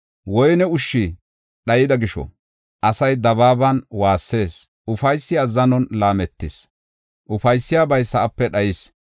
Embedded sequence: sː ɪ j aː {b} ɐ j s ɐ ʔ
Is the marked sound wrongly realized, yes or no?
no